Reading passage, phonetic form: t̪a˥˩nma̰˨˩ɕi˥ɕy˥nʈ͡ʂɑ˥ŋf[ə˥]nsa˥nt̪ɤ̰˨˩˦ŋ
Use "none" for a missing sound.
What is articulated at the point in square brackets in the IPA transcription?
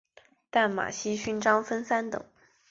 ə˥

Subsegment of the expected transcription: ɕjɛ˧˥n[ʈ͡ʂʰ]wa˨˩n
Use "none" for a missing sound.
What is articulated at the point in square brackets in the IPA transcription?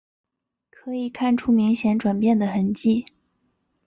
ʈ͡ʂ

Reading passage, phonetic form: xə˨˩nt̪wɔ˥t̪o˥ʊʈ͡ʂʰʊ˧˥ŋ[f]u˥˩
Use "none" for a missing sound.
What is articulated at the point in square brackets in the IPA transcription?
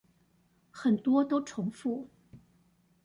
f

